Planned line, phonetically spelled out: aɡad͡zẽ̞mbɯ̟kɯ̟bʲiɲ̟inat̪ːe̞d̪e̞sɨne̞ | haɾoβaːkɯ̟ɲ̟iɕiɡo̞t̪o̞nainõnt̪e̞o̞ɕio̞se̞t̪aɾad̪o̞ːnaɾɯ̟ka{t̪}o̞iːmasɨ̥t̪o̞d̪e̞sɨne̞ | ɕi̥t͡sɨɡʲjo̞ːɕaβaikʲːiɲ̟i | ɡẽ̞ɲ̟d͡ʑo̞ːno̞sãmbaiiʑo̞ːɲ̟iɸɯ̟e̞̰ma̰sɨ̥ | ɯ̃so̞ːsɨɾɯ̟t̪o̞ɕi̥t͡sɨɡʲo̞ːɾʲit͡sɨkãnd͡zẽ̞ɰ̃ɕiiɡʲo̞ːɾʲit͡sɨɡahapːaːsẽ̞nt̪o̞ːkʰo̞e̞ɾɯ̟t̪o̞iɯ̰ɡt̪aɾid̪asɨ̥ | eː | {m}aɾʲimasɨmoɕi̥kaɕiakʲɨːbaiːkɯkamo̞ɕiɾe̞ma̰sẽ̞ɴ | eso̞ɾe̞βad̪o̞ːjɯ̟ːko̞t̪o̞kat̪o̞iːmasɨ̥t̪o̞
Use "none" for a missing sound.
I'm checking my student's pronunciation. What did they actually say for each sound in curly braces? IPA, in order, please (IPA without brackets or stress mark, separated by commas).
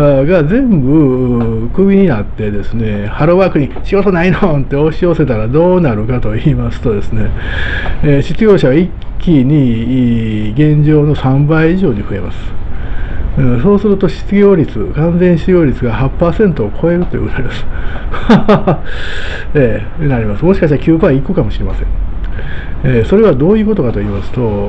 t̪, n